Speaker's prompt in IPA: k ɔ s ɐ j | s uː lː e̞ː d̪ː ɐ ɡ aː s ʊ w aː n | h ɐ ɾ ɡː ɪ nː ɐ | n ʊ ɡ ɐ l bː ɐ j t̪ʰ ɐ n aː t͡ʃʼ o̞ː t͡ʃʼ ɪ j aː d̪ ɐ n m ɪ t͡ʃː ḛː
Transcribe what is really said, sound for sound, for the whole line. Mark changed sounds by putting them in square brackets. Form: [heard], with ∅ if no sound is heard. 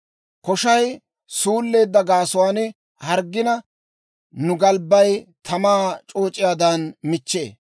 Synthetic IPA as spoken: k ɔ [ʃ] ɐ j | s uː lː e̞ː d̪ː ɐ ɡ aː s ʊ w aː n | h ɐ ɾ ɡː ɪ [n] ɐ | n ʊ ɡ ɐ l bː ɐ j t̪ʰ ɐ [m] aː t͡ʃʼ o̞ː t͡ʃʼ ɪ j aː d̪ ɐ n m ɪ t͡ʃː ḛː